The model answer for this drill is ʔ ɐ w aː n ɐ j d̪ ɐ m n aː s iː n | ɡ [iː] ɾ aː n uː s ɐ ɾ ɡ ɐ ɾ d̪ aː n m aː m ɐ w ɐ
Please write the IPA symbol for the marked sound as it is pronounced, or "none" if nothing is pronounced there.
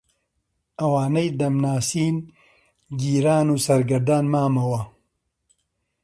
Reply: iː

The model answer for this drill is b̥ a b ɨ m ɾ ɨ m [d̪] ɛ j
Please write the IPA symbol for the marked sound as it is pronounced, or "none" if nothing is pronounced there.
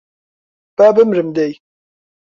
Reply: d̪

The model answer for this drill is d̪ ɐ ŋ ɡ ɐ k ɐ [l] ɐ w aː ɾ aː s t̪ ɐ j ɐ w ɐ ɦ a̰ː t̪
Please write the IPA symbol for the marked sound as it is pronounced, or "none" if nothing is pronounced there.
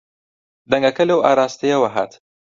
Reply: l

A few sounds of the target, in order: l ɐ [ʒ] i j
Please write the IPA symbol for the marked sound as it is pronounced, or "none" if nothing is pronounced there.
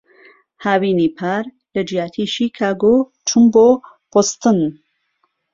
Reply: d͡ʒ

